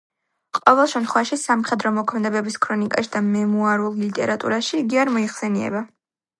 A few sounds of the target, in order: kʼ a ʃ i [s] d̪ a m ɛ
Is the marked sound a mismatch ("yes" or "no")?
yes